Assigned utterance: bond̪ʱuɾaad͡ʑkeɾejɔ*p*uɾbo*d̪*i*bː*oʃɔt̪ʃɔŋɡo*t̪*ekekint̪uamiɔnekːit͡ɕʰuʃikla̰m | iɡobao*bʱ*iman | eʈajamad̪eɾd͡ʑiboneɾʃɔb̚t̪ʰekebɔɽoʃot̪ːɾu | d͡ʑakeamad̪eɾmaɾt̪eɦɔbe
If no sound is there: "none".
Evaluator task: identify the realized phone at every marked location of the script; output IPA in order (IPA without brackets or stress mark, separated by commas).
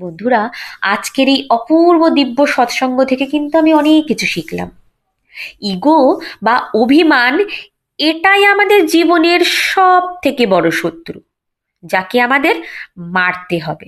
p, d̪, bː, t̪ʰ, bʱ